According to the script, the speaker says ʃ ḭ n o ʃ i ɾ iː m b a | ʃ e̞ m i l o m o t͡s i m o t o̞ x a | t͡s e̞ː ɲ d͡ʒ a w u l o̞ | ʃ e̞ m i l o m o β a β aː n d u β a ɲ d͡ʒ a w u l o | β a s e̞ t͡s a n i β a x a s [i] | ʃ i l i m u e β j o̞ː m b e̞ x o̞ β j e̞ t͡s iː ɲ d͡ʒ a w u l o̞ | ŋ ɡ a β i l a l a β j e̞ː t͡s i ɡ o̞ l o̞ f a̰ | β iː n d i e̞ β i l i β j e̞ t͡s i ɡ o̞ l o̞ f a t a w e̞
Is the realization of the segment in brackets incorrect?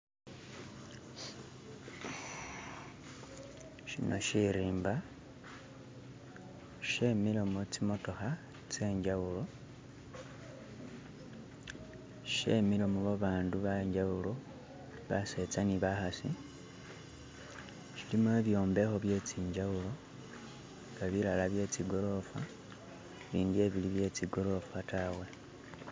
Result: no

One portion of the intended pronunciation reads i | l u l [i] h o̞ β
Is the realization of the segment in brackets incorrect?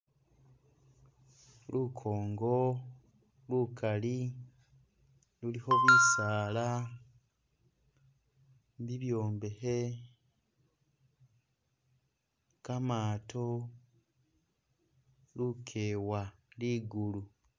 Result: no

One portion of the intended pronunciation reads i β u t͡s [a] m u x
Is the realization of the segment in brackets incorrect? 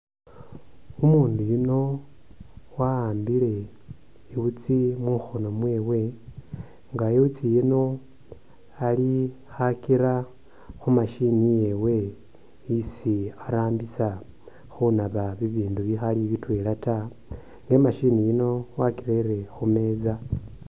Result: yes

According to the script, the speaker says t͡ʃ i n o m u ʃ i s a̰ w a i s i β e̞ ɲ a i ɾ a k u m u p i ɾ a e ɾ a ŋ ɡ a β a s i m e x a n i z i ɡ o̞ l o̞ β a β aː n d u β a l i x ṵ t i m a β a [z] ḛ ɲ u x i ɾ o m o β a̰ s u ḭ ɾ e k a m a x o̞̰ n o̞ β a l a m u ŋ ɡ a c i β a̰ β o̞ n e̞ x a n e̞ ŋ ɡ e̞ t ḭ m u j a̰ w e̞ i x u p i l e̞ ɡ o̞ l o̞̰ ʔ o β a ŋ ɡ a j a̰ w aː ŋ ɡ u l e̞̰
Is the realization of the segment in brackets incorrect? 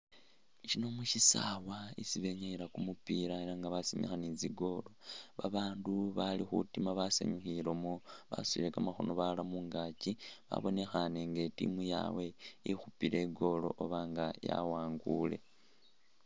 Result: yes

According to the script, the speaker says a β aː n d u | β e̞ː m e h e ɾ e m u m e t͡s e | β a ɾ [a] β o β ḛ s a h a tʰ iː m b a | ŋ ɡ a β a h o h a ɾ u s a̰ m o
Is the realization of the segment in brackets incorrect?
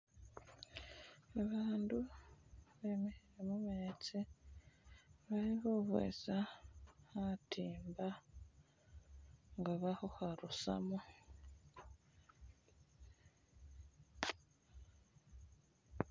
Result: yes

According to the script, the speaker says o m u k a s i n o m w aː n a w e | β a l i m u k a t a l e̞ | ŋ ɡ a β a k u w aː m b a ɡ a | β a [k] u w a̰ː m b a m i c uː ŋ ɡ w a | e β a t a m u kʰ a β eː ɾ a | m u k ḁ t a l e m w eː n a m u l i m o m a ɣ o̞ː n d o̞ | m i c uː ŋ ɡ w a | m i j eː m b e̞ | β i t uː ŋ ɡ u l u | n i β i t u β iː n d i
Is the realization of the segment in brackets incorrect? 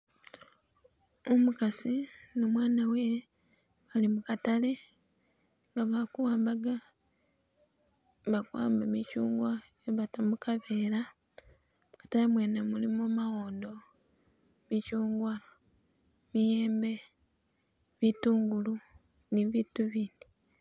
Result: no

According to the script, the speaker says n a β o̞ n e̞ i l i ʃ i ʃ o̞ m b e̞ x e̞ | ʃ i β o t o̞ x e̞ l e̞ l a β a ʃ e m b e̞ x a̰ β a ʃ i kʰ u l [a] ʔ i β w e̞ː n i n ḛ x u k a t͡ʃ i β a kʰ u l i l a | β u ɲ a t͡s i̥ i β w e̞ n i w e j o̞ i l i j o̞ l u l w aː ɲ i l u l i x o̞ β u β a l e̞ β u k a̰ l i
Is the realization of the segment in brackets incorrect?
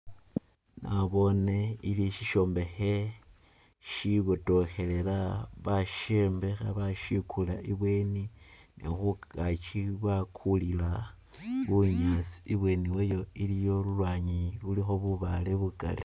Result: no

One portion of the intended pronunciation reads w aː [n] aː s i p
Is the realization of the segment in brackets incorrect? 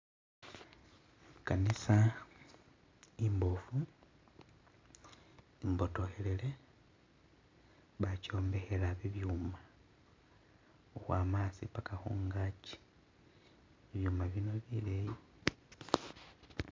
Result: yes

